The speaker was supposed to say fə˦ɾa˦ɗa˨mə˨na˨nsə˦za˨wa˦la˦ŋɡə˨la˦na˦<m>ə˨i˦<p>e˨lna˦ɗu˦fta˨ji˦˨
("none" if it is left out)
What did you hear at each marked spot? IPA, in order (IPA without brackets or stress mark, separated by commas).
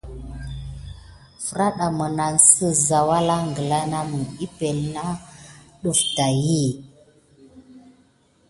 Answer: m, p